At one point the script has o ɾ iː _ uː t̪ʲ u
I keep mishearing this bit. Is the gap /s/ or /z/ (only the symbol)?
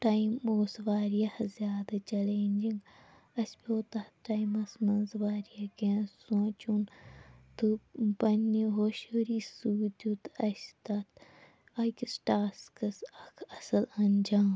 s